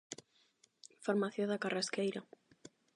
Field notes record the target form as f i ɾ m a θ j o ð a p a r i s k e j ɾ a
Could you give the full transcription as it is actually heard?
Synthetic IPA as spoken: f a ɾ m a θ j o ð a k a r a s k e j ɾ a